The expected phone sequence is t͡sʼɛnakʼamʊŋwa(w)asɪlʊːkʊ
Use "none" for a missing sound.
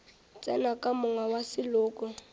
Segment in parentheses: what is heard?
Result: w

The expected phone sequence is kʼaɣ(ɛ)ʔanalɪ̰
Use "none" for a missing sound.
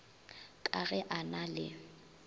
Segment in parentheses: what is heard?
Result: ɛ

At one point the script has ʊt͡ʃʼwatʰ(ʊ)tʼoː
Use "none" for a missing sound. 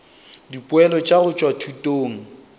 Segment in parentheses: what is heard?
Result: u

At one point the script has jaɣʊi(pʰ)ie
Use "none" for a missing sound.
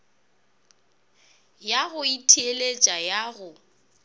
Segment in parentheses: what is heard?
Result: tʰ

